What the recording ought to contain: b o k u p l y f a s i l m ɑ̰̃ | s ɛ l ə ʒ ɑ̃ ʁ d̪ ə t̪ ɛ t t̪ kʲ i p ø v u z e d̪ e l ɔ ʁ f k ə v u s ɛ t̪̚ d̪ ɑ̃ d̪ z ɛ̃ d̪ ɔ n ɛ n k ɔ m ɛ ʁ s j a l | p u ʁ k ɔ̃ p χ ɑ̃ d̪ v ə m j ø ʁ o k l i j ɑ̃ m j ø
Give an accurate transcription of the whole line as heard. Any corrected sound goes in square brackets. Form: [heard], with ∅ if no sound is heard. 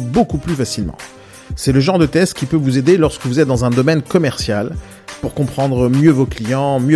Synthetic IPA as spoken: b o k u p l y f a s i l m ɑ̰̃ | s ɛ l ə ʒ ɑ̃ ʁ d̪ ə t̪ ɛ [s] t̪ kʲ i p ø v u z e d̪ e l ɔ ʁ [s] k ə v u [z] ɛ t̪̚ d̪ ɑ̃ [∅] z ɛ̃ d̪ ɔ [m] ɛ n k ɔ m ɛ ʁ s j a l | p u ʁ k ɔ̃ p χ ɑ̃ d̪ [ʁ] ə m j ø [v] o k l i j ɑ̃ m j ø